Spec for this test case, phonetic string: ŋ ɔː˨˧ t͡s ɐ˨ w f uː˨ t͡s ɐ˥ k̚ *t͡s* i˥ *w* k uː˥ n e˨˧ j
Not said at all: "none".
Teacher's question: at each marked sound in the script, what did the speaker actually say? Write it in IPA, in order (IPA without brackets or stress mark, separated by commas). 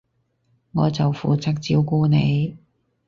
t͡s, w